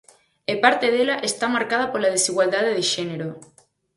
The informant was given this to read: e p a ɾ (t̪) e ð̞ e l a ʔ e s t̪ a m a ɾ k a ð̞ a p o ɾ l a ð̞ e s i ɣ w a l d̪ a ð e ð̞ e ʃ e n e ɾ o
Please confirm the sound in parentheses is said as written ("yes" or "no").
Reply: yes